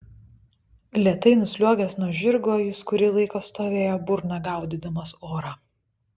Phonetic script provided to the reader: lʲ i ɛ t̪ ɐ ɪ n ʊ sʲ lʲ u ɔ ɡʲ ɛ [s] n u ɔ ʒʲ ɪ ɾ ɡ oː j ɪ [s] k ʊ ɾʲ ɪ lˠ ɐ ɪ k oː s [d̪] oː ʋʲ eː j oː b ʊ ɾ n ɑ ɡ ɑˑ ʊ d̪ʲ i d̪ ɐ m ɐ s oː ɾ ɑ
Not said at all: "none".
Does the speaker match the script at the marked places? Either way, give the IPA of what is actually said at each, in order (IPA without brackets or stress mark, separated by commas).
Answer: s, s, t̪